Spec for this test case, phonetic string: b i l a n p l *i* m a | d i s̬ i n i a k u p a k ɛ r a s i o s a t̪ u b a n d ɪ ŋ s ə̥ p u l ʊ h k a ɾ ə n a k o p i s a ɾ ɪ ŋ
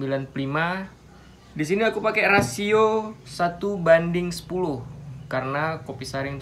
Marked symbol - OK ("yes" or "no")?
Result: yes